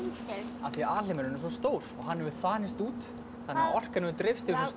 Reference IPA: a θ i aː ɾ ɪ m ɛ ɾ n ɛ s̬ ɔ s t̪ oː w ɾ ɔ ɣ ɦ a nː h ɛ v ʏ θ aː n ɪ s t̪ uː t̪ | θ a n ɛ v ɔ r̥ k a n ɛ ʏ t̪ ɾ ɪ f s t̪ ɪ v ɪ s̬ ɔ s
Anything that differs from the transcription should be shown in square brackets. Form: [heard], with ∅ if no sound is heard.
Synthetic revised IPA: a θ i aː [l] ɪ m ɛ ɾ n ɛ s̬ ɔ s t̪ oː w ɾ ɔ ɣ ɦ a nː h ɛ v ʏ θ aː n ɪ s t̪ uː t̪ | θ a n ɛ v ɔ r̥ k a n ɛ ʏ t̪ ɾ ɪ f s t̪ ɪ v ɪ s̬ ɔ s